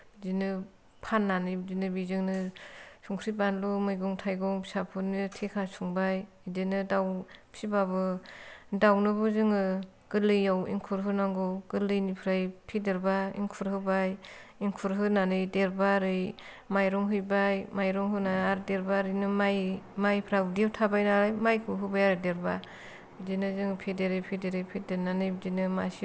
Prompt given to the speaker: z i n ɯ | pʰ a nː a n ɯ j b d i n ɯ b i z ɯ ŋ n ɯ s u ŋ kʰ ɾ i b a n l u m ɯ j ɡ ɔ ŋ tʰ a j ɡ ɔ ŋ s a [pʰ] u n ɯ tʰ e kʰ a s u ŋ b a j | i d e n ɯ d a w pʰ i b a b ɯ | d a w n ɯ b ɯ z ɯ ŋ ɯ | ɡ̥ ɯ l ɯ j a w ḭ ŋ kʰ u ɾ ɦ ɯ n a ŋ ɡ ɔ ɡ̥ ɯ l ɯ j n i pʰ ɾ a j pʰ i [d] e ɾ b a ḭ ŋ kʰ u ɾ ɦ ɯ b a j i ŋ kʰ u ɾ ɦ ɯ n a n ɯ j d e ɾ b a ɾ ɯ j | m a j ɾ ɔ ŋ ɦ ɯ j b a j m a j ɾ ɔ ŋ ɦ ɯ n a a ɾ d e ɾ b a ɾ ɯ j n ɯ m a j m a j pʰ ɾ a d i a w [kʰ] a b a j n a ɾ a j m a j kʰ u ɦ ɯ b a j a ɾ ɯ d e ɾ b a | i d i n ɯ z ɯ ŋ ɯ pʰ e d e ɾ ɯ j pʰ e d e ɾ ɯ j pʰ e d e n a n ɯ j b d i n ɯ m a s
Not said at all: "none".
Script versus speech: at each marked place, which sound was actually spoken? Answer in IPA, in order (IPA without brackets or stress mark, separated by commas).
pʰ, d, tʰ